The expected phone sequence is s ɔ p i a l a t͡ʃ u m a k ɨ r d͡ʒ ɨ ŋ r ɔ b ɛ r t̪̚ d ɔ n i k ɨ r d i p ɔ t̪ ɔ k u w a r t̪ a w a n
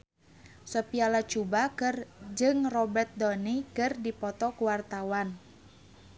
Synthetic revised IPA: s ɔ p i a l a t͡ʃ u b a k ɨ r d͡ʒ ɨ ŋ r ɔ b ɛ r t̪̚ d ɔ n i k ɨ r d i p ɔ t̪ ɔ k u w a r t̪ a w a n

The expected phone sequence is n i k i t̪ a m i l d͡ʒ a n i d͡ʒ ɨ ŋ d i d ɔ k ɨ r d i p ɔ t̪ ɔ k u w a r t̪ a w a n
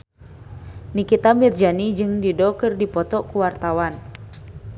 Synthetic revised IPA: n i k i t̪ a m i r d͡ʒ a n i d͡ʒ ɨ ŋ d i d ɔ k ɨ r d i p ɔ t̪ ɔ k u w a r t̪ a w a n

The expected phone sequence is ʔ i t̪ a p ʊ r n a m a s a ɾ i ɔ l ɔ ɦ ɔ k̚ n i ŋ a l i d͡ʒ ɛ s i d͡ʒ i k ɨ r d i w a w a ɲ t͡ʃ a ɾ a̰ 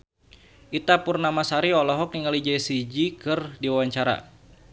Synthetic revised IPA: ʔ i t̪ a p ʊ r n a m a s a ɾ i ɔ l ɔ ɦ ɔ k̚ n i ŋ a l i d͡ʒ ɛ s i d͡ʒ i k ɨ r d i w a w a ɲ t͡ʃ a ɾ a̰

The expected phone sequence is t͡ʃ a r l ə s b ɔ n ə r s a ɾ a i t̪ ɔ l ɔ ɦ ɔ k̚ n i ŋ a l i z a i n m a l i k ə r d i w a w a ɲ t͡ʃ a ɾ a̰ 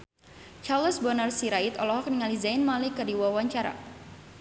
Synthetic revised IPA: t͡ʃ a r l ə s b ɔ n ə r s i ɾ a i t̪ ɔ l ɔ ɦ ɔ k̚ n i ŋ a l i z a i n m a l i k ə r d i w a w a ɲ t͡ʃ a ɾ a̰

